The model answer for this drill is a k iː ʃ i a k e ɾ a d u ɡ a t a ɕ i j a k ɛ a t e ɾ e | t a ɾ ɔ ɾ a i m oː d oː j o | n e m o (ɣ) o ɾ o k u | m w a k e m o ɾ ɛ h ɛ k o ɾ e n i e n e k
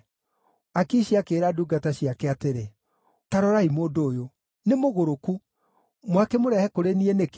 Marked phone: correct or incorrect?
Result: correct